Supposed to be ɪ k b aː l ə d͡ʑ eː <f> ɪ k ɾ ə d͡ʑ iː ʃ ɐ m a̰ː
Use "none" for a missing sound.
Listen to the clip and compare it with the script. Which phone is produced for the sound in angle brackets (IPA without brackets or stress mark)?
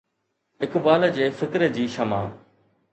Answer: f